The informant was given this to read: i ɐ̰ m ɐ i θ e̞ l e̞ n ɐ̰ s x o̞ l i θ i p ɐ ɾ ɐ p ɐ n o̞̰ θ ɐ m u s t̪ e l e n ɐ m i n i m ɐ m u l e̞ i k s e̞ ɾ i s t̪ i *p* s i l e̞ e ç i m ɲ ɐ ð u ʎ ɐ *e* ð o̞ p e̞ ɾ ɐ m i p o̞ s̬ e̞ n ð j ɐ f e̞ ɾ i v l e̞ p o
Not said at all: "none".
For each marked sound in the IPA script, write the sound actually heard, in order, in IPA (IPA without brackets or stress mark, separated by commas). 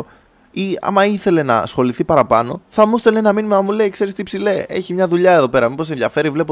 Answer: p, e